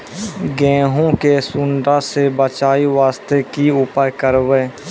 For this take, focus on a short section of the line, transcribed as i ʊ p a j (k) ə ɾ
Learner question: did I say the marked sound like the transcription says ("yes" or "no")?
yes